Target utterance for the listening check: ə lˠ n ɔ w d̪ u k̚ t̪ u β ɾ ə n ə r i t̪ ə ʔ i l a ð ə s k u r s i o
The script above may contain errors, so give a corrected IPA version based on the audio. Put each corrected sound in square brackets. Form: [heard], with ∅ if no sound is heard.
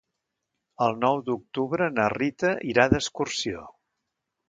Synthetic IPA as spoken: ə lˠ n ɔ w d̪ u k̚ t̪ u β ɾ ə n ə r i t̪ ə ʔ i [ɾ] a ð ə s k u r s i o